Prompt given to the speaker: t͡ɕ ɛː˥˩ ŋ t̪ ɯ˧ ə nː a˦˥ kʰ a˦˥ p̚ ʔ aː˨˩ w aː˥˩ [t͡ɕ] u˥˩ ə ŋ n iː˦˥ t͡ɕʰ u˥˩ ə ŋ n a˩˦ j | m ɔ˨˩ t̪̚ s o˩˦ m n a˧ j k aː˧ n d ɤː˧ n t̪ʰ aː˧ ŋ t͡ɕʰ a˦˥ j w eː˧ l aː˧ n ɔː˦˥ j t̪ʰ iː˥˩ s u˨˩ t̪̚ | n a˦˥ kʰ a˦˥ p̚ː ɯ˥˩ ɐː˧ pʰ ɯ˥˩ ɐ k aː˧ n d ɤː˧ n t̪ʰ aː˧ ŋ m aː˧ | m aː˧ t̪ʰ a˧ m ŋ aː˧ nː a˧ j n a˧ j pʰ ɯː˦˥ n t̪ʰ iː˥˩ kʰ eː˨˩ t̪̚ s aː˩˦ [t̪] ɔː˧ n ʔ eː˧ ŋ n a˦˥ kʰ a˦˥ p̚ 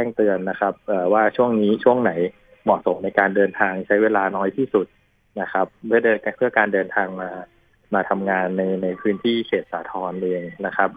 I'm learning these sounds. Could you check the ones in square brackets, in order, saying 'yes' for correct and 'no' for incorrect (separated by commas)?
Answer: no, no